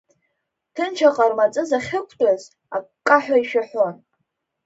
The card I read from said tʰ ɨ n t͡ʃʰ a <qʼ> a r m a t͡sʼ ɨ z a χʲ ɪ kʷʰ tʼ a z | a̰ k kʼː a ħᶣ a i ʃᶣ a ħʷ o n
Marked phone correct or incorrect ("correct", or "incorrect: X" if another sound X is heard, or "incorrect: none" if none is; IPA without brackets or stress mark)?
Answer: correct